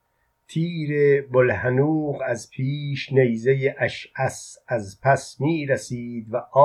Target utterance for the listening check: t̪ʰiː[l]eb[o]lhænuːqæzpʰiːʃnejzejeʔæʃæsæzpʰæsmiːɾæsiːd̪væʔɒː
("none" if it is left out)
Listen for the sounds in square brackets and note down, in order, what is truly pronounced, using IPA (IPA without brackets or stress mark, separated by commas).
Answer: ɾ, o